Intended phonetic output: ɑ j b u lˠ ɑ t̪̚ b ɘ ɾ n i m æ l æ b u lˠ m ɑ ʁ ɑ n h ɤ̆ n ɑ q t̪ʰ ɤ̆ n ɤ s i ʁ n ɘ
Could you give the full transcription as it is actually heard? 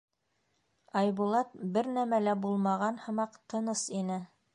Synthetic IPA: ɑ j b u lˠ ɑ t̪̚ b ɘ ɾ n æ m æ l æ b u lˠ m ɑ ʁ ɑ n h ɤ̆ m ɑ q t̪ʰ ɤ̆ n ɤ s i n ɘ